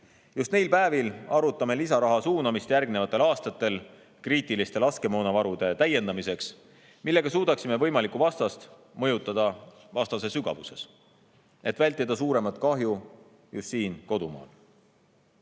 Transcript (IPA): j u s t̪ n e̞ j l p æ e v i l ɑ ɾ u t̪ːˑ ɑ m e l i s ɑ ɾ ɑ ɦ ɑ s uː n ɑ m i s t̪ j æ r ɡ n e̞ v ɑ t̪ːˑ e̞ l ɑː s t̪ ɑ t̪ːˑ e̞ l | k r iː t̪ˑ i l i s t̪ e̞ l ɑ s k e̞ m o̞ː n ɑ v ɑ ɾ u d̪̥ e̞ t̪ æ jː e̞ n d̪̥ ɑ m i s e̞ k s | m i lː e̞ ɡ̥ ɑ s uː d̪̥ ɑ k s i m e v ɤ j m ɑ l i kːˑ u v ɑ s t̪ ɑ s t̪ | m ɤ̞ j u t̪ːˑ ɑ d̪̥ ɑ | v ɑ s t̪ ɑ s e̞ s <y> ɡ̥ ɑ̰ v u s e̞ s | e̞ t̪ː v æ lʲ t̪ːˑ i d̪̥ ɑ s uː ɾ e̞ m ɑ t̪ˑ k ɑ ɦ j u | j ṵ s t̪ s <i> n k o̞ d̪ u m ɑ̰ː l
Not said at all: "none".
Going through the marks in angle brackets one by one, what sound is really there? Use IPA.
y, iː

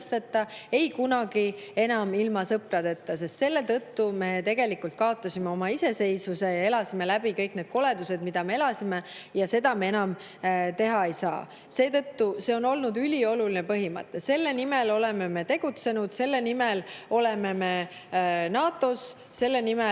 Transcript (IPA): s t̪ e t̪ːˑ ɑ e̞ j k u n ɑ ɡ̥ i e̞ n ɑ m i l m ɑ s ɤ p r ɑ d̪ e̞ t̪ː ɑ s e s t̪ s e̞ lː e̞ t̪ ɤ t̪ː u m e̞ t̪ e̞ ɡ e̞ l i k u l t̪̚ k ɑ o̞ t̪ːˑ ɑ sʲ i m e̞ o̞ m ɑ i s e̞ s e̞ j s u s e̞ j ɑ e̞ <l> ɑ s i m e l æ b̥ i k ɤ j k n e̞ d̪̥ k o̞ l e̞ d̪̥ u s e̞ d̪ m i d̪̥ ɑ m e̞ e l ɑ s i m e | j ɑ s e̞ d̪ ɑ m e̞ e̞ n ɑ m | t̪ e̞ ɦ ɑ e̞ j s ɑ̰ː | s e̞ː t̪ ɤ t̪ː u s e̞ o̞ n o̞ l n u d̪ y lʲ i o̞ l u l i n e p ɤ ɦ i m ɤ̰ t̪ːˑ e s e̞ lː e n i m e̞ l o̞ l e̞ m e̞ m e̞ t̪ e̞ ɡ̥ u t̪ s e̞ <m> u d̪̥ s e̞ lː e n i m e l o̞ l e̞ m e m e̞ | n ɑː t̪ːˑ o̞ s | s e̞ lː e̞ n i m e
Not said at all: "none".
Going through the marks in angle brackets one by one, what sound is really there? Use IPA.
l, n

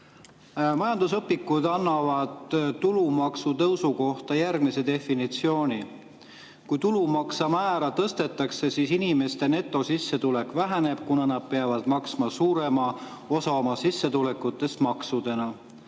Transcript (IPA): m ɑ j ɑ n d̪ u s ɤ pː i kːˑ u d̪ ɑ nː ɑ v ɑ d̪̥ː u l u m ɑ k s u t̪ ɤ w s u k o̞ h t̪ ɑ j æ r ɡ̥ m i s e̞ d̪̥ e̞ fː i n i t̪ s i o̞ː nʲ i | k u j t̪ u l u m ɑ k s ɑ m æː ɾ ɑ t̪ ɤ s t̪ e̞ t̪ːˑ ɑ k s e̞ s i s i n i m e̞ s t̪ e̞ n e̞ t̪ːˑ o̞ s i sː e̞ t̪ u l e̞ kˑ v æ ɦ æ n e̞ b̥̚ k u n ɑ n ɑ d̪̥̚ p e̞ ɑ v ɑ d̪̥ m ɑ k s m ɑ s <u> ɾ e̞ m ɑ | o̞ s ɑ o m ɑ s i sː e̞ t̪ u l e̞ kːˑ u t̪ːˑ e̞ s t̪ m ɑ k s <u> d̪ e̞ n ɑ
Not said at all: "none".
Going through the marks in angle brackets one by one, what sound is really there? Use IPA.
uː, u

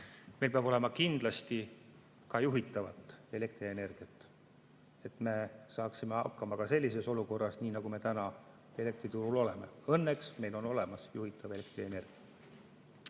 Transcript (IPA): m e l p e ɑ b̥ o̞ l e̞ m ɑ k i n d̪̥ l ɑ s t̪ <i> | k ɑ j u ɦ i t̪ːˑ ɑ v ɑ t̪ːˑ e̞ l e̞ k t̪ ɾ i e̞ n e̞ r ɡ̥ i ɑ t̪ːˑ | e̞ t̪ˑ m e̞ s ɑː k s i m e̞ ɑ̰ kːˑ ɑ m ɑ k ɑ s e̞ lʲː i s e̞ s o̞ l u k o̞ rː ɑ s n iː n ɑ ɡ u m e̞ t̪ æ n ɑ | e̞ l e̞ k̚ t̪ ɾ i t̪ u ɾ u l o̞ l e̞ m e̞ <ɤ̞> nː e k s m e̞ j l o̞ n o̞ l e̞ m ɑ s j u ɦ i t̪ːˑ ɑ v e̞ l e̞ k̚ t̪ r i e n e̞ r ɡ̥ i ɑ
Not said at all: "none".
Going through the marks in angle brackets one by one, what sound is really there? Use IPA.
i, ɤ̞

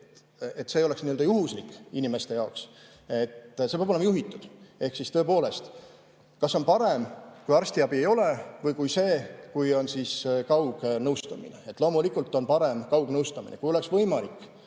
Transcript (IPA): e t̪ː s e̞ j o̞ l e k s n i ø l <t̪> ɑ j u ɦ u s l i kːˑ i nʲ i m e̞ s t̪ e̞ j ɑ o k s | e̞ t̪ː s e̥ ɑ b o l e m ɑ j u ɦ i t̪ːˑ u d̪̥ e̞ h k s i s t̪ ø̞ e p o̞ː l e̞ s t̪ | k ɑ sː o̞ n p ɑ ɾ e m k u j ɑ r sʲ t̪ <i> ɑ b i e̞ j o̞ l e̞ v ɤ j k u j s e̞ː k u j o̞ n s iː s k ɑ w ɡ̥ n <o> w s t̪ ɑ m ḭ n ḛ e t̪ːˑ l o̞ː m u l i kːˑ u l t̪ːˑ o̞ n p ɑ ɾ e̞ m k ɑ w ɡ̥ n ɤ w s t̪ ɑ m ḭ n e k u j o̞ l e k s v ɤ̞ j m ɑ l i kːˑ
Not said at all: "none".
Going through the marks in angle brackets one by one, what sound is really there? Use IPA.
d̪, i, ɤ

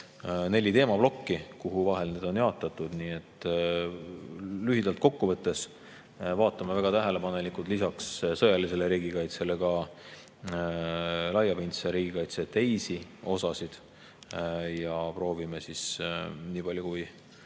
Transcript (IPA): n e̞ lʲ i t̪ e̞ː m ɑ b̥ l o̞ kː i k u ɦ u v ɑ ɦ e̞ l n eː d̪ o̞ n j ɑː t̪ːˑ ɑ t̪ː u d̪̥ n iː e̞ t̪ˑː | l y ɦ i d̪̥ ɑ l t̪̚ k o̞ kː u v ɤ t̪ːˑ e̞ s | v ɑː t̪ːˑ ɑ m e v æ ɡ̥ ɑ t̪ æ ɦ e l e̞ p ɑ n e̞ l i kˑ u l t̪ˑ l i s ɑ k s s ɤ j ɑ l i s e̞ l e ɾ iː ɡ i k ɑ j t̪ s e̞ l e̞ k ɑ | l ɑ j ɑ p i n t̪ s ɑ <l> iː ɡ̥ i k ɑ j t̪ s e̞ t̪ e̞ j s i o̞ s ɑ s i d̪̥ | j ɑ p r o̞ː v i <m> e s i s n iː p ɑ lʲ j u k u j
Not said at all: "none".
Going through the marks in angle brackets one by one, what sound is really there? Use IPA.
ɾ, m

